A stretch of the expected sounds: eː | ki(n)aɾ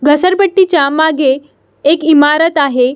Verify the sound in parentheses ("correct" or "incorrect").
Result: incorrect